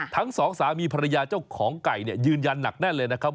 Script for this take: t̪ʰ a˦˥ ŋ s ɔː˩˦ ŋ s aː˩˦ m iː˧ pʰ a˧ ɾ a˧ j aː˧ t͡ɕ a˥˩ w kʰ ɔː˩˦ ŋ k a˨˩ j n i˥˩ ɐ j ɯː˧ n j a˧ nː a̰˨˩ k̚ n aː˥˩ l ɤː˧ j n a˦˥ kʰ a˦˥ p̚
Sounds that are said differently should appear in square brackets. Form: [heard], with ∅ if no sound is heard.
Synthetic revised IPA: t̪ʰ a˦˥ ŋ s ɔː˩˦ ŋ s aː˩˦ m iː˧ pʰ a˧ ɾ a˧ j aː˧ t͡ɕ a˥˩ w kʰ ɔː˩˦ ŋ k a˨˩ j n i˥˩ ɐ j ɯː˧ n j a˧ nː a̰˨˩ k̚ n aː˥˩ l ɤː˧ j n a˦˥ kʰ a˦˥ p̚

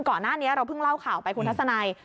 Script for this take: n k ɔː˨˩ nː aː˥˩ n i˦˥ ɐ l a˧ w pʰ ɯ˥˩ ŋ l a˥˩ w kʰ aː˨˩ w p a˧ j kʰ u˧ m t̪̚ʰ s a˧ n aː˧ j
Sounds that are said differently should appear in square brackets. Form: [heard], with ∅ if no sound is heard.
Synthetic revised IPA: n k ɔː˨˩ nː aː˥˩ n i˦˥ ɐ [ɾ] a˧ w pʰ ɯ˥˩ ŋ l a˥˩ w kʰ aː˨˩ w p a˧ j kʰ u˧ [n] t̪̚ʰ s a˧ n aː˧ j

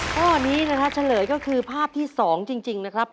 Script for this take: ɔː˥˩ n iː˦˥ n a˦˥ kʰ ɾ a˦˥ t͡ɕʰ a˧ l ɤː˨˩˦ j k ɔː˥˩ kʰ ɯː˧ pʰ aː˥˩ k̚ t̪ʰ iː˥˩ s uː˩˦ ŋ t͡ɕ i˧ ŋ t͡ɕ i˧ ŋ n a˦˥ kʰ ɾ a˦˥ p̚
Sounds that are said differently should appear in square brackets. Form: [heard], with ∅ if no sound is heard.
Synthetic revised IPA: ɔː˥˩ n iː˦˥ n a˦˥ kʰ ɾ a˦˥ t͡ɕʰ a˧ l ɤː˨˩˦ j k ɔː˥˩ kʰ ɯː˧ pʰ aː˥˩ [p̚] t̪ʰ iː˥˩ s [ɔː˩˦] ŋ t͡ɕ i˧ ŋ t͡ɕ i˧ ŋ n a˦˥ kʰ ɾ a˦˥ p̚

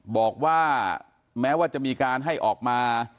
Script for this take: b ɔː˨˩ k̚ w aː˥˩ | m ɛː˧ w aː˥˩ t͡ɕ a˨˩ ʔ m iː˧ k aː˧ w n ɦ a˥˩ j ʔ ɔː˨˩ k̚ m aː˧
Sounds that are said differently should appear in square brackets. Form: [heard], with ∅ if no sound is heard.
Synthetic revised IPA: b ɔː˨˩ k̚ w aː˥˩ | m [ɛː˦˥] w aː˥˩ t͡ɕ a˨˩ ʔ m iː˧ k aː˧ [∅] n ɦ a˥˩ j ʔ ɔː˨˩ k̚ m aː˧

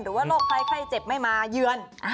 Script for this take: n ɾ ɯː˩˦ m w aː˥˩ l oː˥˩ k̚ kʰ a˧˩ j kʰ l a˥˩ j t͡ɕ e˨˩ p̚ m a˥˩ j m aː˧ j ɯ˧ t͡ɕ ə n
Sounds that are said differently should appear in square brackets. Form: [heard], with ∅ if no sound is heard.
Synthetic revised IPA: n ɾ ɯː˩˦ [∅] w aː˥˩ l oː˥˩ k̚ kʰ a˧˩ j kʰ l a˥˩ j t͡ɕ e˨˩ p̚ m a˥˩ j m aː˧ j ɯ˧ [∅] ə n

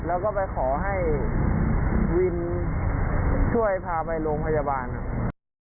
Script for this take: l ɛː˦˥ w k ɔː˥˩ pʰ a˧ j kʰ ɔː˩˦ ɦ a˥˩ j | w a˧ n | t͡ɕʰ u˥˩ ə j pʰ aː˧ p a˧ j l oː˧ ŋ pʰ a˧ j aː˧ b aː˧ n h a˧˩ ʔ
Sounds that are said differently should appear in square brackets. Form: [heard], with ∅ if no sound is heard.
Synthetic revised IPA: l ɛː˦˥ w k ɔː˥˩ [p] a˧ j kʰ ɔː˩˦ ɦ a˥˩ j | w [i˧] n | t͡ɕʰ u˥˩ ə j pʰ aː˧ p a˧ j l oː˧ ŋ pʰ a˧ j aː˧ b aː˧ n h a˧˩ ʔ

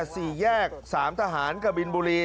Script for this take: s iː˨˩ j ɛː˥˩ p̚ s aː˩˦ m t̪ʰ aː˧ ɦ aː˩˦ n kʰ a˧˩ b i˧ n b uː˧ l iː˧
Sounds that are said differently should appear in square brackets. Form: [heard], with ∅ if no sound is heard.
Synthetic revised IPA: s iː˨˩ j ɛː˥˩ [k̚] s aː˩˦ m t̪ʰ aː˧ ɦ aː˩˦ n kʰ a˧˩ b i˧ n b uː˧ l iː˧

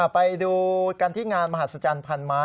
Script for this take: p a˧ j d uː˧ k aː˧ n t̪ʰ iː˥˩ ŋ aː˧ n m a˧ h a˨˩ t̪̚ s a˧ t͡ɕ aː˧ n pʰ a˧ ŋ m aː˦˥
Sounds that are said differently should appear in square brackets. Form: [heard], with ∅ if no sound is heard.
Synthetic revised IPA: p a˧ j d uː˧ k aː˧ n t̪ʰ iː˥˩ ŋ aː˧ n m a˧ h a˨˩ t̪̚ s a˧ t͡ɕ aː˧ n pʰ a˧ [n] m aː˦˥

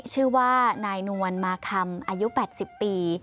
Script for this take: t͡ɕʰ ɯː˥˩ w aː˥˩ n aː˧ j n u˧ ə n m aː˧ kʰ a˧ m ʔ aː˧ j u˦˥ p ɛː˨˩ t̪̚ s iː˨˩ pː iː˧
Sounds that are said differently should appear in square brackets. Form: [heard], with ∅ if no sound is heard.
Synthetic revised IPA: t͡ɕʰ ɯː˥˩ w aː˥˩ n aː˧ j n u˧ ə n m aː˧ kʰ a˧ m ʔ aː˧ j u˦˥ p ɛː˨˩ t̪̚ s [i˨˩] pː iː˧

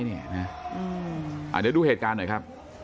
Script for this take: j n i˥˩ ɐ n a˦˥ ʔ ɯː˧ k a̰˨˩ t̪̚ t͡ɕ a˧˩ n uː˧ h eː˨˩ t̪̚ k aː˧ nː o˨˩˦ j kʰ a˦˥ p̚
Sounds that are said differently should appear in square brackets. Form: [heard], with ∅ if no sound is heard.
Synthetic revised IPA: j n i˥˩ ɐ n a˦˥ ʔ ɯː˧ [ʔ] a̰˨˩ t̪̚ t͡ɕ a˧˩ [d] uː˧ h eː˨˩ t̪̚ k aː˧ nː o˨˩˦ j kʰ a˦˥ p̚

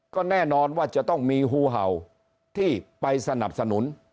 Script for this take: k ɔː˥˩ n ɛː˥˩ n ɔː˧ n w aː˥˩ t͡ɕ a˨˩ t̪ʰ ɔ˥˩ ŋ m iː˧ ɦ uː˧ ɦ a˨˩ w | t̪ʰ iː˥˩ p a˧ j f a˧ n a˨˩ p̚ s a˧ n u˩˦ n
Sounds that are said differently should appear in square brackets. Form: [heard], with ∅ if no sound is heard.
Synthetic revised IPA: k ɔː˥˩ n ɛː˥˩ n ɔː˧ n w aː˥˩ t͡ɕ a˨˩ [t̪] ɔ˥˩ ŋ m iː˧ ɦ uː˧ ɦ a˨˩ w | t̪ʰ iː˥˩ p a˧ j [s] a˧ n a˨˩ p̚ s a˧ n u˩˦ n

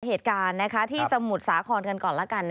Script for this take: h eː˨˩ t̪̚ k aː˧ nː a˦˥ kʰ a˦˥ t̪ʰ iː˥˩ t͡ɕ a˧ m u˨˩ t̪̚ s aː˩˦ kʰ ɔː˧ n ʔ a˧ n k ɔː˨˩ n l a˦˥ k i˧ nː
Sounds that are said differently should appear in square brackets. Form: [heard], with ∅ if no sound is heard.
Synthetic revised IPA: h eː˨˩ t̪̚ k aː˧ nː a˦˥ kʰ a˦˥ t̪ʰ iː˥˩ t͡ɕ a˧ m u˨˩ t̪̚ s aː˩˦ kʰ ɔː˧ n [k] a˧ n k ɔː˨˩ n l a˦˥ k [a˧] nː

